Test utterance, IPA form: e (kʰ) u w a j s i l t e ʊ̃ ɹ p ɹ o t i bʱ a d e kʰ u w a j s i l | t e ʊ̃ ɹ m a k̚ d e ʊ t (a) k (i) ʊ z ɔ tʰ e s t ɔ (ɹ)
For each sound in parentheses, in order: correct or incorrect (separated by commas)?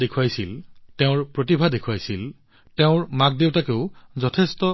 correct, correct, incorrect, incorrect